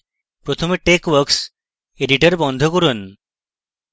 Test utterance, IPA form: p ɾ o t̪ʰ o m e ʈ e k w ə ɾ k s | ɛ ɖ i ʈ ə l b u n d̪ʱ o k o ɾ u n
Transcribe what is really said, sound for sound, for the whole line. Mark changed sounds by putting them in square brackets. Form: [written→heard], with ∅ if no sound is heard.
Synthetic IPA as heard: p ɾ o t̪ʰ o m e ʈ e k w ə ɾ k s | [ɛ→e] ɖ i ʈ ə [l→ɾ] b [u→ɔ] n d̪ʱ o k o ɾ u n